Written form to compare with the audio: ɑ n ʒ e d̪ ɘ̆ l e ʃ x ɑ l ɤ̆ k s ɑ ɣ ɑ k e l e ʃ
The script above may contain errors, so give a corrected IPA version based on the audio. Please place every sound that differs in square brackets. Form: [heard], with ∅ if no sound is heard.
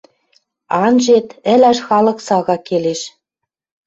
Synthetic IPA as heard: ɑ n ʒ e [t̪] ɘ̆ l [æ] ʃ x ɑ l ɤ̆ k s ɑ ɣ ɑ k e l e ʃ